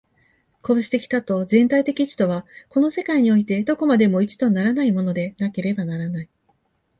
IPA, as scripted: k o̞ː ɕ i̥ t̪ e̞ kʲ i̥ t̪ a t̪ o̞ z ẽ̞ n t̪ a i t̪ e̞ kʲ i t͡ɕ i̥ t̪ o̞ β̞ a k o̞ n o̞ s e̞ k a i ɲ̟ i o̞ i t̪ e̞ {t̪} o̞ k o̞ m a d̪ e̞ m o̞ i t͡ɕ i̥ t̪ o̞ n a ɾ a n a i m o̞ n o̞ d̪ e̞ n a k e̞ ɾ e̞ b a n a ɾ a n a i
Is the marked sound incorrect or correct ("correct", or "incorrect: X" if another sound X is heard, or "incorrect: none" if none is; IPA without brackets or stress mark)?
incorrect: d̪